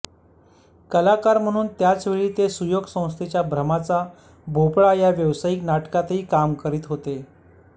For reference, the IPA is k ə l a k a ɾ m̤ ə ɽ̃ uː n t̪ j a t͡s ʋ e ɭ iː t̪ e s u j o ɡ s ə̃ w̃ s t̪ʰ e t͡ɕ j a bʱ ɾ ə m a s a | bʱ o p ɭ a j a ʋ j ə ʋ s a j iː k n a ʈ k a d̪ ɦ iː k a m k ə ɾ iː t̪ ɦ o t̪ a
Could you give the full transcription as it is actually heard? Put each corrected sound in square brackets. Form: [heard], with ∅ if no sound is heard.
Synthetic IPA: k ə l a k a ɾ m̤ ə ɽ̃ uː n t̪ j a t͡s ʋ e ɭ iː t̪ e s u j o ɡ s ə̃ w̃ s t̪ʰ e t͡ɕ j a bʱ ɾ ə m a [t͡s] a | bʱ o p ɭ a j a ʋ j ə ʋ s a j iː k n a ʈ k a [t̪] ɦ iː k a m k ə ɾ iː t̪ ɦ o t̪ [e]